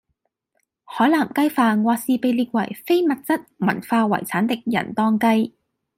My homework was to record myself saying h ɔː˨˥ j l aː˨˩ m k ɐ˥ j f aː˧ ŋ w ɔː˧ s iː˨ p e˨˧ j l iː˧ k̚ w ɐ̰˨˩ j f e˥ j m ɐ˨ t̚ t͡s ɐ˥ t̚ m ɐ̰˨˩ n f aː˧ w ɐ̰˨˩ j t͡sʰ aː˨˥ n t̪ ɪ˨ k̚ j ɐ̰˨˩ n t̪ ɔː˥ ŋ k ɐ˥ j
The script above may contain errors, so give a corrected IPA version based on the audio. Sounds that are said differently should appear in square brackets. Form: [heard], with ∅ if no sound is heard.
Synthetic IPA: h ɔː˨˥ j l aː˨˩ m k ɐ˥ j f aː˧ ŋ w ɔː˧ s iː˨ p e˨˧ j l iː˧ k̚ w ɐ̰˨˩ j f e˥ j m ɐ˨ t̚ t͡s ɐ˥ t̚ m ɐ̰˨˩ n f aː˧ w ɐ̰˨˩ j t͡sʰ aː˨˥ n t̪ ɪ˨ k̚ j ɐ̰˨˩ n t̪ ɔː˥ ŋ k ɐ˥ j